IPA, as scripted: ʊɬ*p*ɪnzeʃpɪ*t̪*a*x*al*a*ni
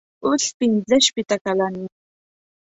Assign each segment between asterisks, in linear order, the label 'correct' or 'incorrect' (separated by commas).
correct, correct, incorrect, correct